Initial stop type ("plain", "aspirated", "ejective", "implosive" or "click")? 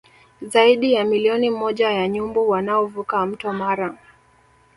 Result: implosive